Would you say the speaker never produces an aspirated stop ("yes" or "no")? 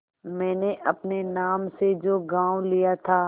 no